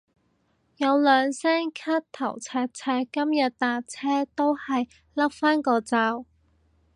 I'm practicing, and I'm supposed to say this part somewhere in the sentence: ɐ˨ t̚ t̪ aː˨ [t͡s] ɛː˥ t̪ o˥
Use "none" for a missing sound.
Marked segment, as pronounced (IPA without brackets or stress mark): t͡sʰ